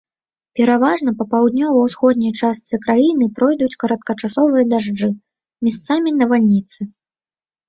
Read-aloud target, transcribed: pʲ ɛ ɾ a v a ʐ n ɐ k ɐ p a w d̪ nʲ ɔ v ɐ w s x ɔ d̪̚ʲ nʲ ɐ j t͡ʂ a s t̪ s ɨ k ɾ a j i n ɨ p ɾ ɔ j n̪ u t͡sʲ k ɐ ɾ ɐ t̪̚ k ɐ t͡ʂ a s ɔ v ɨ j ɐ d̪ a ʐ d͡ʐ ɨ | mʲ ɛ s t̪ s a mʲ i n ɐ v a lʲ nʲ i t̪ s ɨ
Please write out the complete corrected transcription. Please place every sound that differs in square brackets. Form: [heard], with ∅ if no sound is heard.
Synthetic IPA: pʲ ɛ ɾ a v a ʐ n ɐ [p] ɐ p a w d̪ nʲ ɔ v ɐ w s x ɔ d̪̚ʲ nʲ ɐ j t͡ʂ a s t̪ s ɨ k ɾ a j i n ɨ p ɾ ɔ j [d̪] u t͡sʲ k ɐ ɾ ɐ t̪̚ k ɐ t͡ʂ a s ɔ v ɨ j ɐ d̪ a ʐ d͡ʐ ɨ | mʲ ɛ s t̪ s a mʲ i n ɐ v a lʲ nʲ i t̪ s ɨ

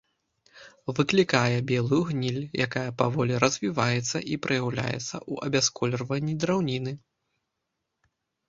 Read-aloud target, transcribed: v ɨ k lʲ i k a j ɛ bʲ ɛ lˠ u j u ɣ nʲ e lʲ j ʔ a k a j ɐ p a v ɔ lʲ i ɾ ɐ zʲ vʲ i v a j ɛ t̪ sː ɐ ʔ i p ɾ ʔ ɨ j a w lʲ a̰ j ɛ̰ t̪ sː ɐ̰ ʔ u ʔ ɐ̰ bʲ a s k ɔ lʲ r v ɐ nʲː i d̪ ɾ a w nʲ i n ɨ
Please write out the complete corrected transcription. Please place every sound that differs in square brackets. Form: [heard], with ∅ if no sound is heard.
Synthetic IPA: v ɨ k lʲ i k a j ɛ bʲ ɛ lˠ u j u ɣ nʲ [i] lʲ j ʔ a k a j ɐ p a v ɔ lʲ i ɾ ɐ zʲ vʲ i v a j ɛ t̪ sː ɐ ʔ i p ɾ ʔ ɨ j a w lʲ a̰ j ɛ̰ t̪ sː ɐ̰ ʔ u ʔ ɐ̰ bʲ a s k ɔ lʲ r v ɐ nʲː i d̪ ɾ a w nʲ i n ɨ

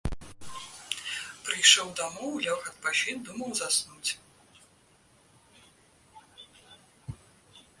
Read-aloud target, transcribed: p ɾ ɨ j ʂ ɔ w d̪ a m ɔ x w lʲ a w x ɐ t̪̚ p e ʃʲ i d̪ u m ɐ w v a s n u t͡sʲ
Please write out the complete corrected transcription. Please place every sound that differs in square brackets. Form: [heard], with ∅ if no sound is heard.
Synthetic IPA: p ɾ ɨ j ʂ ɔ w d̪ a m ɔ [∅] w lʲ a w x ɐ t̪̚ p [a] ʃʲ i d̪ u m ɐ w [z] a s n u t͡sʲ

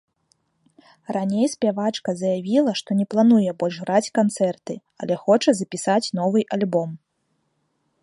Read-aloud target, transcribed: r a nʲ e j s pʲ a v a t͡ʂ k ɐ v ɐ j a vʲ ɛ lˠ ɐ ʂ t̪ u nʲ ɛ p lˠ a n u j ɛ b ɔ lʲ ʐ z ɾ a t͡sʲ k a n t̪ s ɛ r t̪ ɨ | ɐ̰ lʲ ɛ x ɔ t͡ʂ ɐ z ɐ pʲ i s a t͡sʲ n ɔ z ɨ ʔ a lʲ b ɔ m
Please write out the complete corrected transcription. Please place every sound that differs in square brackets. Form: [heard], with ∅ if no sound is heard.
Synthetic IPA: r a nʲ e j s pʲ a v a t͡ʂ k ɐ [z] ɐ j a vʲ [i] lˠ ɐ ʂ t̪ [ɔ] nʲ ɛ p lˠ a n u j ɛ b ɔ lʲ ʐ [ɣ] ɾ a t͡sʲ k a n t̪ s ɛ r t̪ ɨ | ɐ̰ lʲ ɛ x ɔ t͡ʂ ɐ z ɐ pʲ i s a t͡sʲ n ɔ [v] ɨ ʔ a lʲ b ɔ m

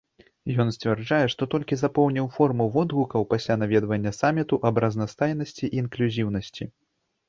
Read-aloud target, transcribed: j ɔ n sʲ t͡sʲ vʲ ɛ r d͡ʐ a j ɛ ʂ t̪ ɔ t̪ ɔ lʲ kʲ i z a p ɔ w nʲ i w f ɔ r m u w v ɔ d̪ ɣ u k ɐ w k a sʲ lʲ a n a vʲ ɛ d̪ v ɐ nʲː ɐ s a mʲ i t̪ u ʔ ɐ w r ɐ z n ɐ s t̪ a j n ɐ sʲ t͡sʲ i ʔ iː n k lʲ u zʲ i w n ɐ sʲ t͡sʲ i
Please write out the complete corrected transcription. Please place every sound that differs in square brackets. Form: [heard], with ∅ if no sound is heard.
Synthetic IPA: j ɔ n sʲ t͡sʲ vʲ ɛ r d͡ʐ a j ɛ ʂ t̪ ɔ t̪ ɔ lʲ kʲ i z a p ɔ w nʲ i w f ɔ r m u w v ɔ d̪ ɣ u k ɐ w [p] a sʲ lʲ a n a vʲ ɛ d̪ v ɐ nʲː ɐ s a mʲ i t̪ u ʔ ɐ [b] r ɐ z n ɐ s t̪ a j n ɐ sʲ t͡sʲ i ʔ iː n k lʲ u zʲ i w n ɐ sʲ t͡sʲ i

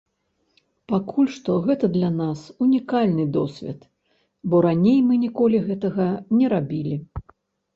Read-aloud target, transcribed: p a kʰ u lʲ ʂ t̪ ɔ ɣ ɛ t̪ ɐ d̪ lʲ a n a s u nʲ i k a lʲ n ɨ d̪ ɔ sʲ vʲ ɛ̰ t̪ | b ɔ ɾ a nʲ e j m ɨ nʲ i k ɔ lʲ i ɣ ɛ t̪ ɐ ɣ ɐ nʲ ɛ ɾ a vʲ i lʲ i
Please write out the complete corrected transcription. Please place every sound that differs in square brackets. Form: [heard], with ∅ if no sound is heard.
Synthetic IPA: p a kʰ u lʲ ʂ t̪ ɔ ɣ ɛ t̪ ɐ d̪ lʲ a n a s u nʲ i k a lʲ n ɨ d̪ ɔ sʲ vʲ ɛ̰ t̪ | b ɔ ɾ a nʲ e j m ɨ nʲ i k ɔ lʲ i ɣ ɛ t̪ ɐ ɣ ɐ nʲ ɛ ɾ a [bʲ] i lʲ i

